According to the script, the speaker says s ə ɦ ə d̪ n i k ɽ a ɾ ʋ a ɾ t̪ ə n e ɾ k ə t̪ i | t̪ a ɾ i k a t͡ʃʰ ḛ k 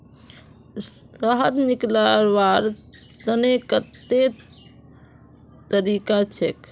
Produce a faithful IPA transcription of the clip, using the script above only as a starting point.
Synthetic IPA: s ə ɦ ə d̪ n i k l a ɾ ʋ a ɾ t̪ ə n e k ə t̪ e | t̪ ə ɾ i k a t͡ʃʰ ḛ k